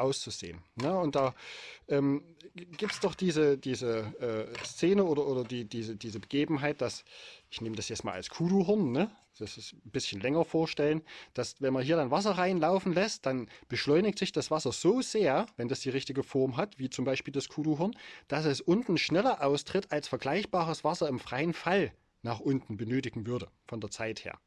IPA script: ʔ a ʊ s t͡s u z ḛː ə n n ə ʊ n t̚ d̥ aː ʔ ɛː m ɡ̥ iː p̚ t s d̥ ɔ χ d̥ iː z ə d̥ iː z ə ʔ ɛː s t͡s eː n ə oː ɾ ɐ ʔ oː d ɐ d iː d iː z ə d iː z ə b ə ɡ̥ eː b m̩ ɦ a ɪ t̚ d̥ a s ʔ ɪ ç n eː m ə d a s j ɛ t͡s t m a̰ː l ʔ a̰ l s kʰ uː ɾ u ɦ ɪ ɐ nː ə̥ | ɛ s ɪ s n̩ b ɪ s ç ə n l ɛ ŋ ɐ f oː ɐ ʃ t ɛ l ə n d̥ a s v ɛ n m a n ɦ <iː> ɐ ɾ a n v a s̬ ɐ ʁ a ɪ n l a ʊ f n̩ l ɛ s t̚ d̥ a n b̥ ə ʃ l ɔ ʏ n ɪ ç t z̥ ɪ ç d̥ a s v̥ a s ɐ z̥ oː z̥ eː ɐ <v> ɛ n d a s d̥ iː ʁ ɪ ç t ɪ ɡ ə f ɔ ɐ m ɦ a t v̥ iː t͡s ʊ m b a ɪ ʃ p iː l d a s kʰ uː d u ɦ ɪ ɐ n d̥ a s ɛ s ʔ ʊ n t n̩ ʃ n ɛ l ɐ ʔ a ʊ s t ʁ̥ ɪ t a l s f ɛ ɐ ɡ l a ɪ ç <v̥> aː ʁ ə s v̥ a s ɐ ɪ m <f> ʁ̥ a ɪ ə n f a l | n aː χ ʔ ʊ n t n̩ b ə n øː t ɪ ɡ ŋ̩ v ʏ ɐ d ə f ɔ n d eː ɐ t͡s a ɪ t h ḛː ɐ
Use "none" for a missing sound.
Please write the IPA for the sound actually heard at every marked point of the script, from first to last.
iː, v, b̥, f

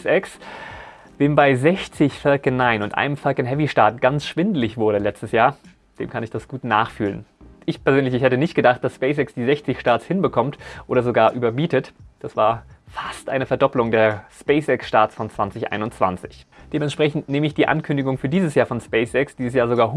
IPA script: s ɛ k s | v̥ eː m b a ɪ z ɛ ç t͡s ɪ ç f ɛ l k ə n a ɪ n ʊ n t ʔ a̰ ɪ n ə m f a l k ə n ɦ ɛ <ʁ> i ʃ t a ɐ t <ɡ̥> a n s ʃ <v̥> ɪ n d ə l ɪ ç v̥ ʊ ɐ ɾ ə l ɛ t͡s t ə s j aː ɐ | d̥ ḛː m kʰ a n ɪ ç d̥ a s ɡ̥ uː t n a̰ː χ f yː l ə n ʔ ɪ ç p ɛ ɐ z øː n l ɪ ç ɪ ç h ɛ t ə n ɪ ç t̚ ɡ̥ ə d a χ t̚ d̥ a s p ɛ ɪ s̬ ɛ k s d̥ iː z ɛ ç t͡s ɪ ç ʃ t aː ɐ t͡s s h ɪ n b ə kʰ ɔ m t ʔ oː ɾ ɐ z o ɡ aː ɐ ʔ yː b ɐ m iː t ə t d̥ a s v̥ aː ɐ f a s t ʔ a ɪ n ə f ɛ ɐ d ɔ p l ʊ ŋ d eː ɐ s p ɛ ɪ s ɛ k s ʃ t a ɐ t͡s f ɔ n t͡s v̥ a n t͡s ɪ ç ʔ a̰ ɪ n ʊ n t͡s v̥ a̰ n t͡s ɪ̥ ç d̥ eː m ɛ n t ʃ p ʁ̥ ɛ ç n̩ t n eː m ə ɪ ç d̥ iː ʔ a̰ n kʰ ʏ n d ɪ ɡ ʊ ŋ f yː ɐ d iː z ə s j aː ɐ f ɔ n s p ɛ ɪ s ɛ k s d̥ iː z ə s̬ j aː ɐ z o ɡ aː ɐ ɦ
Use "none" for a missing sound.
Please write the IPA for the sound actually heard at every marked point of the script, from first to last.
v, ɡ̥, v̥

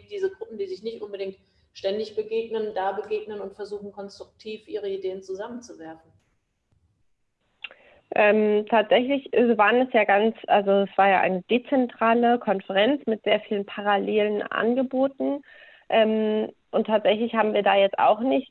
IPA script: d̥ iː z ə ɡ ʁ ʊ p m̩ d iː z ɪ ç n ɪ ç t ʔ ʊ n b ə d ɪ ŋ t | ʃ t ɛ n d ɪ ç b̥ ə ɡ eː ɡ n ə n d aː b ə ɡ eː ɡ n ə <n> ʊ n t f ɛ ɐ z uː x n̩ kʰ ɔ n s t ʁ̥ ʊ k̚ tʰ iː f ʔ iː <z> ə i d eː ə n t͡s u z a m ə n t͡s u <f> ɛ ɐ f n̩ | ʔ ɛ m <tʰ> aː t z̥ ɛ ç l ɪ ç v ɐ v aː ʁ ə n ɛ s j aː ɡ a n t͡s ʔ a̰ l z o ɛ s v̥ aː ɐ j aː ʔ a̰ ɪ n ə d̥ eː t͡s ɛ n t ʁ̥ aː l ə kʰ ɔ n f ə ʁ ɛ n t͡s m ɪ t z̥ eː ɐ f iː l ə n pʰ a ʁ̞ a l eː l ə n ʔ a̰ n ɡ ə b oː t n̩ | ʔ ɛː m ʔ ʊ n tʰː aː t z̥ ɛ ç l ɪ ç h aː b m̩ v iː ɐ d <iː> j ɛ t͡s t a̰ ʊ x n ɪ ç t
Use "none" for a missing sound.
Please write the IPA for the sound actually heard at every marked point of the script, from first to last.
n, ʁ, v, tʰ, aː

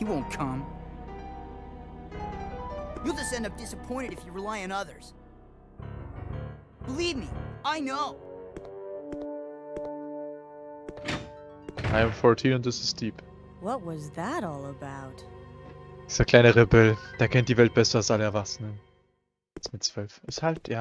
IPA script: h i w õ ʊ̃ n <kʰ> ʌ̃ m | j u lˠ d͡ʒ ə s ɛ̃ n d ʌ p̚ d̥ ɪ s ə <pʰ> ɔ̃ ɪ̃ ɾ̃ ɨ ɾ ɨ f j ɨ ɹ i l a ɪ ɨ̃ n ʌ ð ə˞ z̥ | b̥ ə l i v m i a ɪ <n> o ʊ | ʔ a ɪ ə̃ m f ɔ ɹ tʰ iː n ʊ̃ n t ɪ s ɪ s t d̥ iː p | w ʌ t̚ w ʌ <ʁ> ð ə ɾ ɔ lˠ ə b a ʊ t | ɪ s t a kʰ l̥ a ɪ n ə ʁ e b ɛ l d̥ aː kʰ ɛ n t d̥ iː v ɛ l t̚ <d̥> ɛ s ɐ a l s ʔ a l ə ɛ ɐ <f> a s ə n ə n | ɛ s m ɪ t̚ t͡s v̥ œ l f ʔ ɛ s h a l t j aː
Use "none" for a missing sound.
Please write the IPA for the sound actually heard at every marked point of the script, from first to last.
kʰ, pʰ, n, z, b̥, v

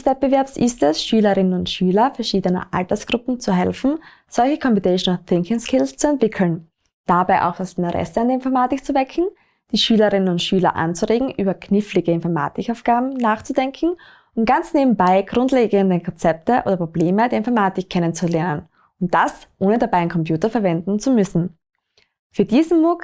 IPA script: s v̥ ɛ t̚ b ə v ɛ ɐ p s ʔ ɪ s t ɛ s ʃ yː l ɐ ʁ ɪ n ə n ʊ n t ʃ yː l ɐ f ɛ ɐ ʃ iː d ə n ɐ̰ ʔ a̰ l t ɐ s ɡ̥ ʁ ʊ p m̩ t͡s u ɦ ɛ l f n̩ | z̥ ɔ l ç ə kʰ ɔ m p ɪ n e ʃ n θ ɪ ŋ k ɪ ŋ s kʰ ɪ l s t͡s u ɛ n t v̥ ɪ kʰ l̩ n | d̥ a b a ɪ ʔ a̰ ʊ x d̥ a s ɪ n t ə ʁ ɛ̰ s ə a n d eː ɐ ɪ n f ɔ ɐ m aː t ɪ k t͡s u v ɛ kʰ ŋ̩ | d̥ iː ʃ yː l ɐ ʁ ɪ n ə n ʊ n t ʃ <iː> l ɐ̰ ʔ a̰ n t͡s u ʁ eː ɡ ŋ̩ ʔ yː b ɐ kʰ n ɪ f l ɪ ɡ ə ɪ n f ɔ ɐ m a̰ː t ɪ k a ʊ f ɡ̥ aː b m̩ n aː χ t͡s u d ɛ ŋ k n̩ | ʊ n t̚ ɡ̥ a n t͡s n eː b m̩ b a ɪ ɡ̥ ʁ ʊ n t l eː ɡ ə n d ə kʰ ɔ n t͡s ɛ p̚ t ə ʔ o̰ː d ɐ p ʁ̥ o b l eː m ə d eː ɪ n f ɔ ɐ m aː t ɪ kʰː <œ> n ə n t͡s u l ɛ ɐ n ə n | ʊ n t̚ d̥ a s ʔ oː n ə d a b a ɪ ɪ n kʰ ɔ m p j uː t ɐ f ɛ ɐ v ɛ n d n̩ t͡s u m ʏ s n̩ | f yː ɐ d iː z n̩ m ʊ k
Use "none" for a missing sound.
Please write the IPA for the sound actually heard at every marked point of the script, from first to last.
yː, ɛ

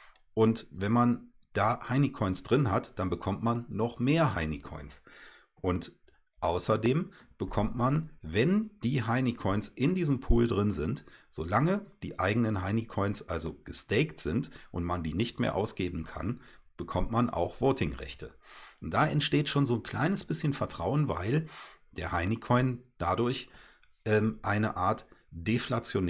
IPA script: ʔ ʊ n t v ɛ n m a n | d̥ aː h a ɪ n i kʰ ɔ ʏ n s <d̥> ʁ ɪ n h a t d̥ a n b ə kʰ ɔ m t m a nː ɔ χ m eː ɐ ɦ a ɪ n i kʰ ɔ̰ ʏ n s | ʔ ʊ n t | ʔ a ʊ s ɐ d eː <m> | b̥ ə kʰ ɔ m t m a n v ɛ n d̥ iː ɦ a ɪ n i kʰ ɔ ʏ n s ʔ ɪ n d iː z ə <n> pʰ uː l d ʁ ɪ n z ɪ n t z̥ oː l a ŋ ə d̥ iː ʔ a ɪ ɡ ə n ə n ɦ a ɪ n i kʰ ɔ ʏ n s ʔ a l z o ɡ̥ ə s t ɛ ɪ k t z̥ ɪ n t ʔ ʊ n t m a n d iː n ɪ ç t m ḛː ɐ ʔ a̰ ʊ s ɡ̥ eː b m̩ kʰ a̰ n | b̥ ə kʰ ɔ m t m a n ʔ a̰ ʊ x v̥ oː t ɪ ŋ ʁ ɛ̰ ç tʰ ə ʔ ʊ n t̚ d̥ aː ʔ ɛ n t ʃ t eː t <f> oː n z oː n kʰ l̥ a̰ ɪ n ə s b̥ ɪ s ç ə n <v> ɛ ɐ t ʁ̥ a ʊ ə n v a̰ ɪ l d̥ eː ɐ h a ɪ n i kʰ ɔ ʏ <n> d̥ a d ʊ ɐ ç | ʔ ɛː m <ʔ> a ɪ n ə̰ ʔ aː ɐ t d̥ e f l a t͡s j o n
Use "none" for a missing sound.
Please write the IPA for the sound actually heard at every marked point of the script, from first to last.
d̥, m, m, ʃ, f, n, ʔ

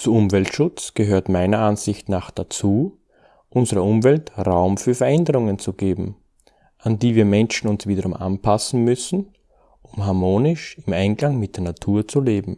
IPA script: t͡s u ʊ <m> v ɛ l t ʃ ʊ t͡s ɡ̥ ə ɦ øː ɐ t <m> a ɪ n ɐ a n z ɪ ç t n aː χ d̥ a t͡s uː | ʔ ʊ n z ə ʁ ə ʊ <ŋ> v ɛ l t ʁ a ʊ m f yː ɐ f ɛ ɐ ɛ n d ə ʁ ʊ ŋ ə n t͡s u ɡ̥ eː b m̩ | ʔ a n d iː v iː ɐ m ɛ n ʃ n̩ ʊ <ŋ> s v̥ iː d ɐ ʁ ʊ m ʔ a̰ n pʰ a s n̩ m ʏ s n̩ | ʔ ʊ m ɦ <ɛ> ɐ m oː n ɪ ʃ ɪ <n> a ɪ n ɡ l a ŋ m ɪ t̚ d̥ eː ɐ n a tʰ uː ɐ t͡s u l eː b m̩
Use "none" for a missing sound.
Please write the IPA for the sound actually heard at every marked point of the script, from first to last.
m, m, m, n, a, m

